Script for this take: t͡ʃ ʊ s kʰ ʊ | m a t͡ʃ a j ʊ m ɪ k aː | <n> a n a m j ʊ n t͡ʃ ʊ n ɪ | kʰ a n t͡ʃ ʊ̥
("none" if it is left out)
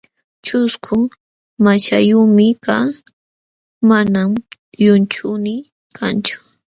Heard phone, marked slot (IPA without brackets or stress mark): m